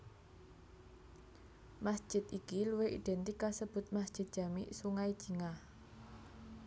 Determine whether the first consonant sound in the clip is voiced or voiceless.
voiced